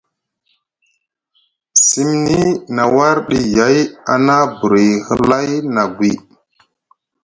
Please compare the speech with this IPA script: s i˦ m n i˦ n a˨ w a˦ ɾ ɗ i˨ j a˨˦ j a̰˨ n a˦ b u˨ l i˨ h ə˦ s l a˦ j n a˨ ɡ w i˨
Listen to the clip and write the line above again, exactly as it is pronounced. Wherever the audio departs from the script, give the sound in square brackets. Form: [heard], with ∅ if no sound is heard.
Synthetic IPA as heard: s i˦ m n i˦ n a˨ w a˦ ɾ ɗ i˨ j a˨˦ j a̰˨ n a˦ b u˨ [ɾ] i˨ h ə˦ [∅] l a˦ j n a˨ ɡ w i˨